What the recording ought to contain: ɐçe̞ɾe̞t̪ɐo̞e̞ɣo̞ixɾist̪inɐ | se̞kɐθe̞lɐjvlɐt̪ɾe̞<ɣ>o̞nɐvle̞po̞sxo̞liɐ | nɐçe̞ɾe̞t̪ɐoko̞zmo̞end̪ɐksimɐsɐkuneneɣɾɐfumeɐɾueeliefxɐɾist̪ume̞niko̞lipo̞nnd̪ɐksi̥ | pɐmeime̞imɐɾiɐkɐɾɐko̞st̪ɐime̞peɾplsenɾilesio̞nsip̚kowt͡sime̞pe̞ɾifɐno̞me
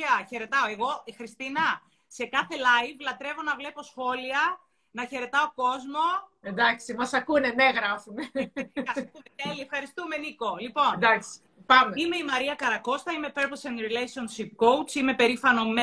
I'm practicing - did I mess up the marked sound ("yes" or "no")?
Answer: yes